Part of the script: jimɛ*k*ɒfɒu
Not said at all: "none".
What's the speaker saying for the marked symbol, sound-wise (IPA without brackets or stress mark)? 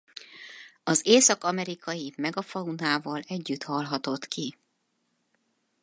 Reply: ɡ